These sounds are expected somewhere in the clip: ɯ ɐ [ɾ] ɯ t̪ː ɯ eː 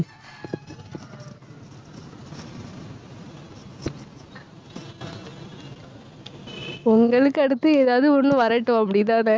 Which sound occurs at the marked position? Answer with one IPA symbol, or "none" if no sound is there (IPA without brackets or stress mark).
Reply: ɽ